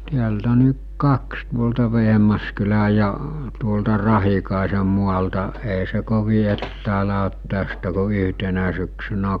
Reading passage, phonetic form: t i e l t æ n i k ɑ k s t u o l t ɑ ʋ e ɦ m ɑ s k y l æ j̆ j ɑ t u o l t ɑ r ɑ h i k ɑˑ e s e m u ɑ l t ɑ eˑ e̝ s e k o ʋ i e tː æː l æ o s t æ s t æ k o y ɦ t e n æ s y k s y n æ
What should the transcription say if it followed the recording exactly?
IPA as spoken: t i æ l t æ n i k ɑ k s t u o l t ɑ ʋ e ɦ m ɑ s k y l æ j̆ j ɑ t u o l t ɑ r ɑ h i k ɑˑ e s e m u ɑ l t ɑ eˑ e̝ s e k o ʋ i e tː æː l æ o t t æ s t æ k o y ɦ t e n æ s y k s y n æ

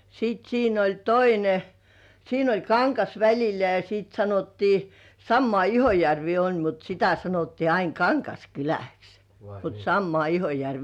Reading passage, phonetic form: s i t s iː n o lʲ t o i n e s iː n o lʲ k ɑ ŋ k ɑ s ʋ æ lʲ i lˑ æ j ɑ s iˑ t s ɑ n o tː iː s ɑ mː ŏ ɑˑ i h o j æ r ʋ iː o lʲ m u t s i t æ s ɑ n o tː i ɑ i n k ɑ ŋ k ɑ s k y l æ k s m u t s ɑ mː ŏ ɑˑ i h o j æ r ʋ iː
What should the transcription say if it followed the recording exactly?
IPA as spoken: s i t s iː n o lʲ t o i n e s iː n o lʲ k ɑ ŋ k ɑ s ʋ æ lʲ i lˑ æ j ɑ s iˑ t s ɑ n o tː iː s ɑ mː ŏ ɑˑ i h o j æ r ʋ iː o lʲ m u t s i t æ s ɑ n o tː iː ɑ i n k ɑ ŋ k ɑ s k y l æ k s m u t s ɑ mː ŏ ɑˑ i h o j æ r ʋ iː

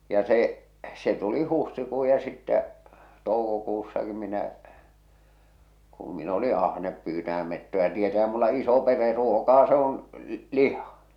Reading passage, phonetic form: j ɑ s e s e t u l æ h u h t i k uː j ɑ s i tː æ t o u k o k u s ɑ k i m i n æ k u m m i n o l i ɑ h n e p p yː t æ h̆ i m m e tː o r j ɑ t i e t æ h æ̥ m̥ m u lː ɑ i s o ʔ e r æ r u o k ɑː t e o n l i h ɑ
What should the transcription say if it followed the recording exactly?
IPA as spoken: j ɑ s e s e t u l i h u h t i k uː j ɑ s i tː æ t o u k o k u sː ɑ k i m i n æ k u m m i n o l i ɑ h n e p p yː t æ h̆ æ m m e tː o j ɑ t i e t æ h æ̥ m̥ m u lː ɑ i s o p e r e r u o k ɑː s e o n l i h ɑ

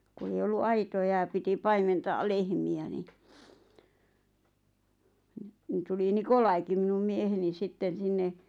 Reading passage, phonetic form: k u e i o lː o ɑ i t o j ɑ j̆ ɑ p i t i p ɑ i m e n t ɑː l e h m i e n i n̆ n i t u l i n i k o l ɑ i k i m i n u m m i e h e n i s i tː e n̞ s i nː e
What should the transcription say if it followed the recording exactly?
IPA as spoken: k u e i o lː u ɑ i t o j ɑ j̆ ɑ p i t i p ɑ i m e n t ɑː l e h m i æ n i n̆ n i t u l i n i k o l ɑ i k i m i n u m m i e h e n i s i tː e n̞ s i nː e

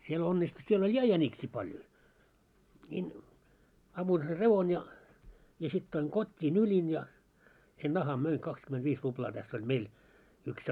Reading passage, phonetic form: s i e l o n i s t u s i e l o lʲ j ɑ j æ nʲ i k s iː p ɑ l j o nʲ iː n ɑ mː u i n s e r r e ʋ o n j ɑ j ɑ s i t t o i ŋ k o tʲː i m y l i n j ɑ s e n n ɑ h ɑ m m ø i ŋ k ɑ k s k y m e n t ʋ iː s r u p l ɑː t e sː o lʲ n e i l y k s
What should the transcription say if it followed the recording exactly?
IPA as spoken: s i e l o nː i s t u s i e l o lʲ j ɑ j æ nʲ i k s iː p ɑ l j o nʲ iː n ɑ mː u i n s e r r e ʋ o n j ɑ j ɑ s i t t o i ŋ k o tʲː i n y l i n j ɑ s e n n ɑ h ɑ m m ø i ŋ k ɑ k s k y m e n t ʋ iː s r u p l ɑː t æ sː o lʲ m e i l y k s

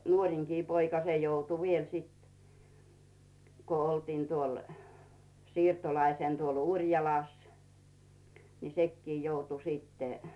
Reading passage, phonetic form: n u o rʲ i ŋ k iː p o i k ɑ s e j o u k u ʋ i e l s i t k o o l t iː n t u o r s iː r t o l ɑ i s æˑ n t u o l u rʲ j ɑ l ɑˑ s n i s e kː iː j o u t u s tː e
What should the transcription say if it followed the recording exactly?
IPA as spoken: n u o rʲ i ŋ k iː p o i k ɑ s e j o u t u ʋ i e l s i t k o o l t iː n t u o l s iː r t o l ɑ i s eˑ n t u o l u rʲ j ɑ l ɑˑ s n i s e kː iː j o u t u s tː e

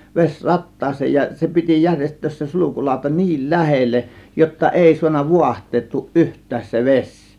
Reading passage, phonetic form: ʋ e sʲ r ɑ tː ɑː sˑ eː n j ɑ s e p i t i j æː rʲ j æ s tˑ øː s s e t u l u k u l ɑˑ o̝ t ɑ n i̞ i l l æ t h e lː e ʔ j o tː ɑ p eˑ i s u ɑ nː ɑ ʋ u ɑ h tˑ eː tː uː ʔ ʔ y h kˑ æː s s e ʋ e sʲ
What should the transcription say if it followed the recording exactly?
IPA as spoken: ʋ e sʲ r ɑ tː ɑː sˑ eː n j ɑ s e p i t i j æ rʲ j e s tˑ øː s s e s u l u k u l ɑˑ o̝ t ɑ n i̞ i l l æ h e lː e ʔ j o tː ɑ ʔ eˑ i s u ɑ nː ɑ ʋ u ɑ h tˑ eː tː uː ʔ ʔ y h tˑ æː s s e ʋ e sʲ

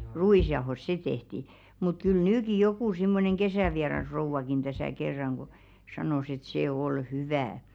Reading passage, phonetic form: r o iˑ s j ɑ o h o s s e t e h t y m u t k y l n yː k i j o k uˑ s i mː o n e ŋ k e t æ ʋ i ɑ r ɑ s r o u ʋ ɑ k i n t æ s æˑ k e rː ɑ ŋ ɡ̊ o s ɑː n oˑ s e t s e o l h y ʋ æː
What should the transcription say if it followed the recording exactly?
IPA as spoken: r u iˑ s j ɑ o h o s s e t e h t i m u t k y l n yː k i j o k uˑ s i mː o n e ŋ k e s æ ʋ i ɑ r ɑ s r o u ʋ ɑ k i n t æ s æˑ k e rː ɑ ŋ ɡ̊ o s ɑ n oˑ s e t s e o l h y ʋ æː

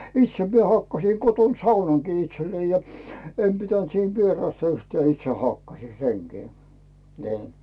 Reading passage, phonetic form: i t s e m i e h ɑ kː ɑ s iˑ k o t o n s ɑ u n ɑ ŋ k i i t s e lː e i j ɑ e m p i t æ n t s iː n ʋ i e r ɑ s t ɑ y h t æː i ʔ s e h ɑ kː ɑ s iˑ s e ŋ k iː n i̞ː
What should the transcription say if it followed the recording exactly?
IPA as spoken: i t s e m i e h ɑ kː ɑ s iˑ k o t o n s ɑ u n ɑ ŋ k iː i t s e lː e i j ɑ e m p i t æ n t s iː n ʋ i e r ɑ s t ɑ y h t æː i t s e h ɑ kː ɑ s iˑ s e ŋ k iː n i̞ː

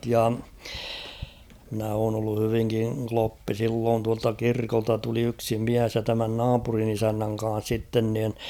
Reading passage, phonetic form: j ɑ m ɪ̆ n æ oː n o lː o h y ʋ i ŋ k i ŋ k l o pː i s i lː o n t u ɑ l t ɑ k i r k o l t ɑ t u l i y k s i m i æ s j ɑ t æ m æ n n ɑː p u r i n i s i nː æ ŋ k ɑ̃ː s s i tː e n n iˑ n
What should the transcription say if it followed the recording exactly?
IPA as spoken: j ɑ m ɪ̆ n æ oː n o lː u h y ʋ i ŋ k i ŋ k l o pː i s i lː oː n t u ɑ l t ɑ k i r k o l t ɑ t u l i y k s i m i æ s j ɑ t æ m æ n n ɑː p u r i n i s æ nː æ ŋ k ɑ̃ː s s i tː e n n iˑ n

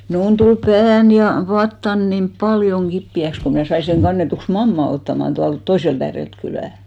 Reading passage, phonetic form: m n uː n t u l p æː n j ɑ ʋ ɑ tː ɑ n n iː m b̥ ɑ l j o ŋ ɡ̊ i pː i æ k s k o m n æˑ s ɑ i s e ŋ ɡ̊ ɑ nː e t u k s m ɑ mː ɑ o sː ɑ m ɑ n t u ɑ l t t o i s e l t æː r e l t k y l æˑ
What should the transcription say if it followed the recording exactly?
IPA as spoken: m n uː n t u l p æː n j ɑ ʋ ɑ tː ɑ n n i m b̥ ɑ l j o ŋ ɡ̊ i pː i æ k s k o m n æˑ s ɑ i s e ŋ ɡ̊ ɑ nː e t u k s m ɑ mː ɑ o tː ɑ m ɑ n t u ɑ l t t o i s e l t æː r e l t k y l æˑ

